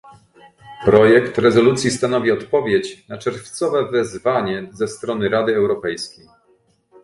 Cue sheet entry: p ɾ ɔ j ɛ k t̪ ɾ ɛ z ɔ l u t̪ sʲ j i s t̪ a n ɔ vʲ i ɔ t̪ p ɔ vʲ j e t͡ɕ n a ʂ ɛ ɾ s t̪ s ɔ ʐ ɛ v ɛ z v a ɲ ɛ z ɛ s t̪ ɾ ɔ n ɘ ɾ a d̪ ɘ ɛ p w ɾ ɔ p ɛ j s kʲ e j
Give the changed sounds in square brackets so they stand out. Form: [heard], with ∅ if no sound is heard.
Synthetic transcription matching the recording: p ɾ ɔ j ɛ k t̪ ɾ ɛ z ɔ l u t̪ sʲ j i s t̪ a n ɔ vʲ i ɔ t̪ p ɔ vʲ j e t͡ɕ n a [t͡ʂ] ɛ ɾ [f] t̪ s ɔ [v] ɛ v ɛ z v a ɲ ɛ z ɛ s t̪ ɾ ɔ n ɘ ɾ a d̪ ɘ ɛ [∅] w ɾ ɔ p ɛ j s kʲ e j